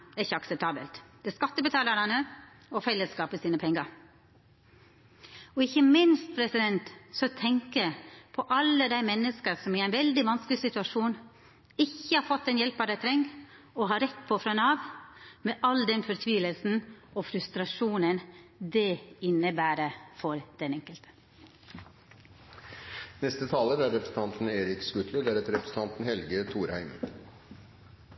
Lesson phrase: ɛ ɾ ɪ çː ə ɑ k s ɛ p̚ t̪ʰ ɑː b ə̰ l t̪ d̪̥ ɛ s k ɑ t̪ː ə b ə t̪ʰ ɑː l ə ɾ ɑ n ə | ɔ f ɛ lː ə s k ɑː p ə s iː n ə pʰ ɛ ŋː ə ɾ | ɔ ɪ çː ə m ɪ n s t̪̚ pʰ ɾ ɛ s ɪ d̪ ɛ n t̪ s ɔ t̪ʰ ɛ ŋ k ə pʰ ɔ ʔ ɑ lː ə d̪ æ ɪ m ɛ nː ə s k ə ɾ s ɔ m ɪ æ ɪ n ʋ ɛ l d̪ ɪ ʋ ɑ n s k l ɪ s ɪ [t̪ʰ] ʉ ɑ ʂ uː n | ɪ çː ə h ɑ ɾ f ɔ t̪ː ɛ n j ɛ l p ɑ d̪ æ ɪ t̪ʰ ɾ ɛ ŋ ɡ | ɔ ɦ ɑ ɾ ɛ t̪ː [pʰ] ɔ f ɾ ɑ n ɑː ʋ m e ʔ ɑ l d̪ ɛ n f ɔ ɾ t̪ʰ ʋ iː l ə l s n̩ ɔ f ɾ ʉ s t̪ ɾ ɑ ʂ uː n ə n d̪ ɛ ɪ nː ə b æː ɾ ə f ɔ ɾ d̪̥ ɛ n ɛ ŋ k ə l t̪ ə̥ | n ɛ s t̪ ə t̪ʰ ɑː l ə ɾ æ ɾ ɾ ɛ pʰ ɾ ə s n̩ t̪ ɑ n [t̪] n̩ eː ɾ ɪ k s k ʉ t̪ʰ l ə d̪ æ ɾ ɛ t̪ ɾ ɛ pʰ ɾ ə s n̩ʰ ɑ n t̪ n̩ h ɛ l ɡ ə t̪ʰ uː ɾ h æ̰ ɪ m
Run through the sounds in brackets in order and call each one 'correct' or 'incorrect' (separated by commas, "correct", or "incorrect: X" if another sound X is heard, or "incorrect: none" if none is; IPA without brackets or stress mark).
incorrect: t̪, correct, correct